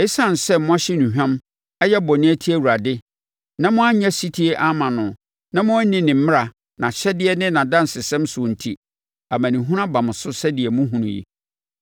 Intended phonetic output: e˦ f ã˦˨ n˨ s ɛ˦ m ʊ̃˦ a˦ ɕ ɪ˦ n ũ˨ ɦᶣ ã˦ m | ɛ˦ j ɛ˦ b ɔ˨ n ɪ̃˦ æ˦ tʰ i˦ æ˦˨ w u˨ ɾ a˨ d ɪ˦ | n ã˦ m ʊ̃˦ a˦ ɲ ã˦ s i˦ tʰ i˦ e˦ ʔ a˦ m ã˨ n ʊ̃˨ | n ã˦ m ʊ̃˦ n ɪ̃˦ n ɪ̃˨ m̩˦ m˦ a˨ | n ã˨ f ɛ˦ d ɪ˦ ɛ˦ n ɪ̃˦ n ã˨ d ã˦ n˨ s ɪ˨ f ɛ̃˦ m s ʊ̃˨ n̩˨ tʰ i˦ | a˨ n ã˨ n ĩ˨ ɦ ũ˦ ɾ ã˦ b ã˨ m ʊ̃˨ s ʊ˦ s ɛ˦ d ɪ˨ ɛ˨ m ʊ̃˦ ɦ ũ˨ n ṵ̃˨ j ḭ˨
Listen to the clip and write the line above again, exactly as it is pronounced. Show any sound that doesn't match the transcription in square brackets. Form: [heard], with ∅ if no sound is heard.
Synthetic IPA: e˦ [s] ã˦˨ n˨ s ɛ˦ m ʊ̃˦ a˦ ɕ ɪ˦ n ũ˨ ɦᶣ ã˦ m | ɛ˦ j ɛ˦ b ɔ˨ n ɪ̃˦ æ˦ tʰ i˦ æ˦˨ w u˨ ɾ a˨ d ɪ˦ | n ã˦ m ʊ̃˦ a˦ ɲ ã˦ s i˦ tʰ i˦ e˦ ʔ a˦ m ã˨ n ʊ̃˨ | n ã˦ m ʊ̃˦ n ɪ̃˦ n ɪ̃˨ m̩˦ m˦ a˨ | n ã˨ [ɕ] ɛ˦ d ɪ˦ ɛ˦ n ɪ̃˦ n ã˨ d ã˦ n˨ s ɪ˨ [s] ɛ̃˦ m s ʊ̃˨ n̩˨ tʰ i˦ | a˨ [m] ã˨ n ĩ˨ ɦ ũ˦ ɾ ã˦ b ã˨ m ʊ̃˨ s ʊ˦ s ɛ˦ d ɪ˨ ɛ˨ m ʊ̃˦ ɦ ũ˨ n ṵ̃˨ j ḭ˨